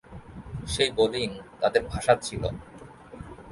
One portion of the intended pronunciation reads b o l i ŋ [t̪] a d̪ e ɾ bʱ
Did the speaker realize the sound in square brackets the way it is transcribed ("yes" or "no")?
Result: yes